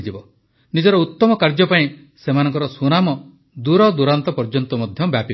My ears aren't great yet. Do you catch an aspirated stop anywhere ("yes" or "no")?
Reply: no